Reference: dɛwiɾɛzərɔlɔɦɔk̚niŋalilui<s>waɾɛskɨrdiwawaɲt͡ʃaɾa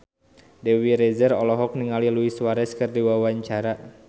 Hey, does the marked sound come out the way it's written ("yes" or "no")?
yes